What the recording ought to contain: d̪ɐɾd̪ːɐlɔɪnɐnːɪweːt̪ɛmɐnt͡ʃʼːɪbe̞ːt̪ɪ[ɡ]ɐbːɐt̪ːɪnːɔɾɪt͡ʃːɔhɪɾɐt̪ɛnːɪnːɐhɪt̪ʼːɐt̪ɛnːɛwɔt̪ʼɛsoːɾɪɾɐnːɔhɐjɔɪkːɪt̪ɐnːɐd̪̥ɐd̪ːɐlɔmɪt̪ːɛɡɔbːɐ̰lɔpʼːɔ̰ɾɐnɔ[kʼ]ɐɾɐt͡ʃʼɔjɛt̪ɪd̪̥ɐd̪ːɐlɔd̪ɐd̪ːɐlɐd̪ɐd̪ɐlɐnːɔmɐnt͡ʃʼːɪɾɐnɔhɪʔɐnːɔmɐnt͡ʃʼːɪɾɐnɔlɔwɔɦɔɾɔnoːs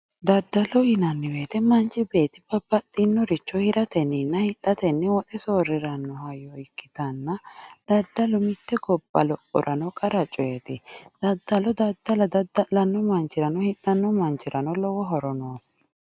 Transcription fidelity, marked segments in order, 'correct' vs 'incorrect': incorrect: b, correct

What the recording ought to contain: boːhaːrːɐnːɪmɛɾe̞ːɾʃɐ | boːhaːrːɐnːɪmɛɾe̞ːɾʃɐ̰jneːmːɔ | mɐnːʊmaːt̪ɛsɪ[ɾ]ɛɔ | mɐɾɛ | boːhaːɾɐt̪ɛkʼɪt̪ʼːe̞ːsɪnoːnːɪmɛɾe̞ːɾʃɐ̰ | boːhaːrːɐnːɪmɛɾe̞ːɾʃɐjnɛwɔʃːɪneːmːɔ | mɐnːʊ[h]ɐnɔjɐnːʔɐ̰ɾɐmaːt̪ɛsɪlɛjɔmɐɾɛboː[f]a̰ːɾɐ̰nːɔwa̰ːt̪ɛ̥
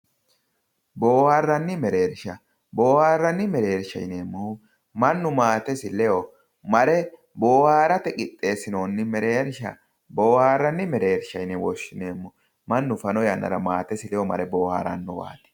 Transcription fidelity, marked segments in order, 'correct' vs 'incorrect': incorrect: l, incorrect: f, incorrect: h

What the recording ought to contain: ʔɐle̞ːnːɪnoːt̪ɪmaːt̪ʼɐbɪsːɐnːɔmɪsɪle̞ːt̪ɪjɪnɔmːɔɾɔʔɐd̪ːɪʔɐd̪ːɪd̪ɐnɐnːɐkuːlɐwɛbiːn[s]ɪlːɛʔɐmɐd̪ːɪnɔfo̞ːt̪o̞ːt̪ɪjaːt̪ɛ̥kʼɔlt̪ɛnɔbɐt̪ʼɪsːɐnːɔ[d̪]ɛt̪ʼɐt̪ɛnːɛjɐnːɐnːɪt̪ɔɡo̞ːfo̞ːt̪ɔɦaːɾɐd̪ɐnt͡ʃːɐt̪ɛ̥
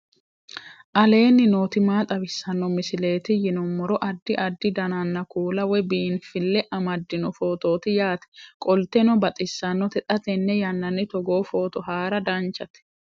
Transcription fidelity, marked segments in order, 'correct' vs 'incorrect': incorrect: f, incorrect: t̪

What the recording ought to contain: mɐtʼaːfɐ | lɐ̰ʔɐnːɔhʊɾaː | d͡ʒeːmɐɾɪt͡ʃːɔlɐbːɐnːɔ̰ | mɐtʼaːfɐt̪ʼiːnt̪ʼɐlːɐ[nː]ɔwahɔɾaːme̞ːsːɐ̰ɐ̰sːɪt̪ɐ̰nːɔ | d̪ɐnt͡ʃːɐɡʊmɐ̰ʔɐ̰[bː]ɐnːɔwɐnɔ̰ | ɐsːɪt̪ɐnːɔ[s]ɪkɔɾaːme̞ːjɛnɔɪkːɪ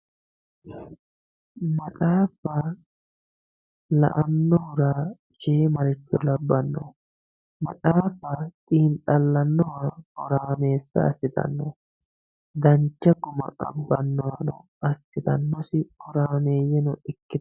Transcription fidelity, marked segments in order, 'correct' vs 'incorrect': correct, correct, correct

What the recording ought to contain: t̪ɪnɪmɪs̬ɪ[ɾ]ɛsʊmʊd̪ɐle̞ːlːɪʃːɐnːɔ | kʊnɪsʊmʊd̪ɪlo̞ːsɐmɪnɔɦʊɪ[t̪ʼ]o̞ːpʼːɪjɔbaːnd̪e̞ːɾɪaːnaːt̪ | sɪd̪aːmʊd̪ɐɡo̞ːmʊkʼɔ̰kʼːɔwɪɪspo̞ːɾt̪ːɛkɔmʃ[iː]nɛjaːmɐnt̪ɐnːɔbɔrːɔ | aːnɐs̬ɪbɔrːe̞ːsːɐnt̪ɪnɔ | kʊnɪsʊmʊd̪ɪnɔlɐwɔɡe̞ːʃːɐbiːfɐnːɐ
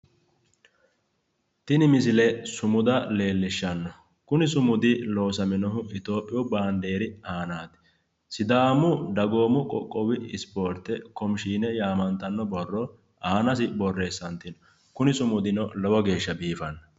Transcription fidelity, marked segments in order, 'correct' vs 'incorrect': incorrect: l, incorrect: t̪, correct

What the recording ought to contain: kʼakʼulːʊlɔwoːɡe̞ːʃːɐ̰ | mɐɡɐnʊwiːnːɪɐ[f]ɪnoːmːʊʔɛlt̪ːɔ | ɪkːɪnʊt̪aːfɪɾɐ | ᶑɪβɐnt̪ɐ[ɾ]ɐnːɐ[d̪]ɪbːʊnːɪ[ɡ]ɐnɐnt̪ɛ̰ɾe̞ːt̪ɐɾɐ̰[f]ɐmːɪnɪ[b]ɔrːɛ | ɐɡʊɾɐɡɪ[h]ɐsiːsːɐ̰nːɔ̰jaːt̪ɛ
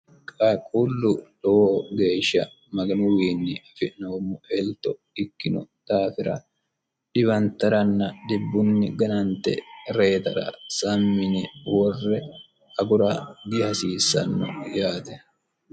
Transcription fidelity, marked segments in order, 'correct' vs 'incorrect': correct, correct, correct, correct, incorrect: s, incorrect: w, correct

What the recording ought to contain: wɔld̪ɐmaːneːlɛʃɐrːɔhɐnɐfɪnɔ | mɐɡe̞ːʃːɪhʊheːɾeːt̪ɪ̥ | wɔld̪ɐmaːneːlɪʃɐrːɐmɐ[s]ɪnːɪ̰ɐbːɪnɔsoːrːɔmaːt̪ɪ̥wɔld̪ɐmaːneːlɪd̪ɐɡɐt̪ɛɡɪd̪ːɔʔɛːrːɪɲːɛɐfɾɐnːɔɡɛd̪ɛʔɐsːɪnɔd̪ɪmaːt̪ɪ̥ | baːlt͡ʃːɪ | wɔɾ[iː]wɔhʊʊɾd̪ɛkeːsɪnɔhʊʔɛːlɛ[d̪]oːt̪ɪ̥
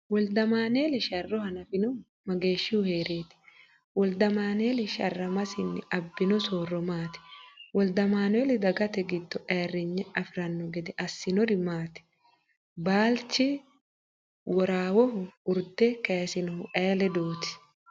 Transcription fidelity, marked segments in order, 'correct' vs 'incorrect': correct, incorrect: aː, correct

